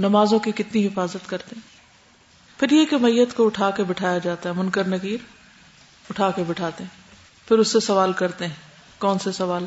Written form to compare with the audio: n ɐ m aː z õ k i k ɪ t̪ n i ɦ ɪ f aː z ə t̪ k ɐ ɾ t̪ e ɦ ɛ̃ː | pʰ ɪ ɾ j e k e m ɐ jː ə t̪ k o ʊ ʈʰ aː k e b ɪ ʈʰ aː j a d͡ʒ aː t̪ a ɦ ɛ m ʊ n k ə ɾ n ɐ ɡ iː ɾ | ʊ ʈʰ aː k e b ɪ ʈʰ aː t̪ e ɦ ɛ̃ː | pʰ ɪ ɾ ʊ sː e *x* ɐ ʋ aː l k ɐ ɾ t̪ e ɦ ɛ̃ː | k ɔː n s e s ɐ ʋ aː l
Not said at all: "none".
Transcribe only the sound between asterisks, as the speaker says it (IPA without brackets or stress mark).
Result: s